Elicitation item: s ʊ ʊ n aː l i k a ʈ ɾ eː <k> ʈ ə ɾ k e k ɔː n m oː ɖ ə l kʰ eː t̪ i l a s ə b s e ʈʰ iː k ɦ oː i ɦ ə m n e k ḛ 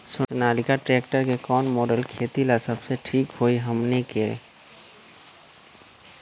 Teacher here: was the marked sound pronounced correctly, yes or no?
yes